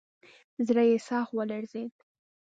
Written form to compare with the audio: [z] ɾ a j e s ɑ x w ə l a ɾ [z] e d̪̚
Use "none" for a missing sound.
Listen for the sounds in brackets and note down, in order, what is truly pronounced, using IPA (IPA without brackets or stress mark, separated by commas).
z, z